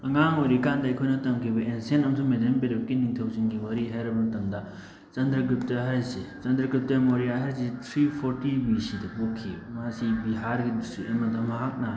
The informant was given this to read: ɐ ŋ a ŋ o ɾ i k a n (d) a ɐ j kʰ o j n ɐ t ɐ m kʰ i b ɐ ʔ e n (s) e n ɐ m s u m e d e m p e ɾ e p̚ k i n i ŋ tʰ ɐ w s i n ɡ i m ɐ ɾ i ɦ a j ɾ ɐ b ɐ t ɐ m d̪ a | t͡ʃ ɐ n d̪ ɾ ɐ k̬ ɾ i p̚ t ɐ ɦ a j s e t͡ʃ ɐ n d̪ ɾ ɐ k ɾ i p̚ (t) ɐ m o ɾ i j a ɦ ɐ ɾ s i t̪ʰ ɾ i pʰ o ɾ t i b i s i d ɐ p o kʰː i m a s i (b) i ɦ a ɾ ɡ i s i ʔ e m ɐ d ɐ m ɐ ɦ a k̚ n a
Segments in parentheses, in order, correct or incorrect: correct, correct, correct, correct

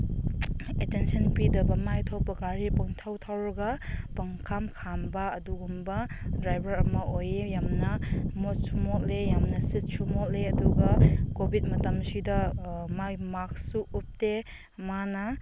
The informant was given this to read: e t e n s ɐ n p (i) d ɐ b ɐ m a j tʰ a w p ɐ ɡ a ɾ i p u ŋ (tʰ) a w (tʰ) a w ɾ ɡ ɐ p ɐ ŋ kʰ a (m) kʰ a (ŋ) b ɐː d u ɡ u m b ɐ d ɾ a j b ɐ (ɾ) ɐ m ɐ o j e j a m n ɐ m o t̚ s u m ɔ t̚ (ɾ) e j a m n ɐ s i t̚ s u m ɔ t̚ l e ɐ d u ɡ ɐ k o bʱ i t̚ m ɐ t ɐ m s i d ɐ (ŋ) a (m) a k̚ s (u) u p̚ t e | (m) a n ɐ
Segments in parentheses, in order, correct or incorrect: correct, correct, correct, correct, incorrect, correct, incorrect, incorrect, correct, correct, correct

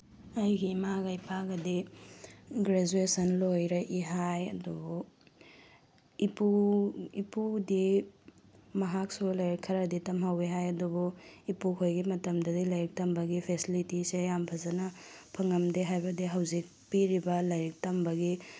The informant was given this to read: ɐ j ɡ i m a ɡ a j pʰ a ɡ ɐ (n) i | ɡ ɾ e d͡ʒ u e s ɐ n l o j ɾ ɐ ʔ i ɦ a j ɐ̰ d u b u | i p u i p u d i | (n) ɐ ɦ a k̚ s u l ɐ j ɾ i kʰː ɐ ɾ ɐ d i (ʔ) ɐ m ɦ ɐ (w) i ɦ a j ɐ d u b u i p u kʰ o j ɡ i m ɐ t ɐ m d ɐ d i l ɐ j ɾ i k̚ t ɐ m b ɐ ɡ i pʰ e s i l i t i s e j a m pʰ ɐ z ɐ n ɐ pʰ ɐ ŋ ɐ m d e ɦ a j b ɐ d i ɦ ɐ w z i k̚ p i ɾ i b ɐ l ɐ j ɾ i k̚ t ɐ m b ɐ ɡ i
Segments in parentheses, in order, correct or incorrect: incorrect, incorrect, incorrect, correct

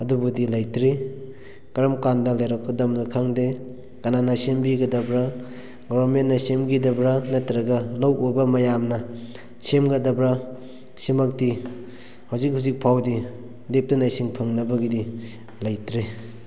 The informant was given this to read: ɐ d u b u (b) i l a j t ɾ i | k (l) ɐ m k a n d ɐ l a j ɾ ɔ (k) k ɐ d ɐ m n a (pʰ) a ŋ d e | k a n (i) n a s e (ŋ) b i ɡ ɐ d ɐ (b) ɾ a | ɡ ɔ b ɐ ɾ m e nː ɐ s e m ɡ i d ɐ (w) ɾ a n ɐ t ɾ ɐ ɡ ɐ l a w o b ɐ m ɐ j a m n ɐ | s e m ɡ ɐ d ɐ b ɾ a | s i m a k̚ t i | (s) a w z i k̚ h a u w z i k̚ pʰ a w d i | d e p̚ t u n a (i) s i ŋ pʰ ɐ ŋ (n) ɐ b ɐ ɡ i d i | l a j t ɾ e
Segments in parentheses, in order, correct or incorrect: incorrect, incorrect, correct, incorrect, incorrect, incorrect, correct, incorrect, incorrect, incorrect, correct

